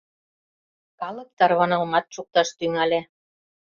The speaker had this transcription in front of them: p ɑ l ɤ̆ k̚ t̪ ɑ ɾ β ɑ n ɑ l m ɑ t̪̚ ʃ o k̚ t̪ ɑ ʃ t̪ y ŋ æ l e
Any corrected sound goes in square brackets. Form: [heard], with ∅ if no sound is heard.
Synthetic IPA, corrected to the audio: [k] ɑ l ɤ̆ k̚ t̪ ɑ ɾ β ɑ n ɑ l m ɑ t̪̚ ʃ [u] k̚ t̪ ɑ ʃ t̪ y ŋ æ l e